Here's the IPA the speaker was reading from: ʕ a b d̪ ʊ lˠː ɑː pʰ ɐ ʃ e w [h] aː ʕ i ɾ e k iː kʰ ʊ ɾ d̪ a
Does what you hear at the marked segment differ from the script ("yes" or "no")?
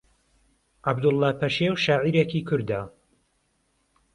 yes